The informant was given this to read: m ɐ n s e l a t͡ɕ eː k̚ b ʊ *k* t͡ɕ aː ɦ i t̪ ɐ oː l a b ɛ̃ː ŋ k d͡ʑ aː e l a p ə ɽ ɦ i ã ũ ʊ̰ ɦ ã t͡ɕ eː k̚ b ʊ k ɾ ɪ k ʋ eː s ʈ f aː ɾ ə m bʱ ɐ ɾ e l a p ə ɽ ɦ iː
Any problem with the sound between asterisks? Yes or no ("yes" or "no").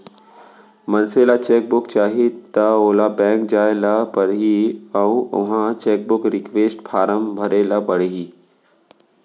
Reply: no